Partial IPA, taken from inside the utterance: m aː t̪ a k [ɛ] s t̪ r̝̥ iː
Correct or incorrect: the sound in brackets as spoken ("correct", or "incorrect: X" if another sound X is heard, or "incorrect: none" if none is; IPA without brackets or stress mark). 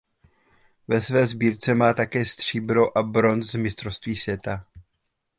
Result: incorrect: ɛː